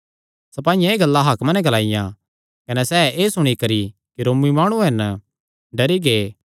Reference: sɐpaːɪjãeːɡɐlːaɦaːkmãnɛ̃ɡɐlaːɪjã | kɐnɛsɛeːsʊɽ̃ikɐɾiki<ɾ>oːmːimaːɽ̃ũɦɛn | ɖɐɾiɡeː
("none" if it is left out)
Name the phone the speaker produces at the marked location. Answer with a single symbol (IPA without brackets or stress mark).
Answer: ɾ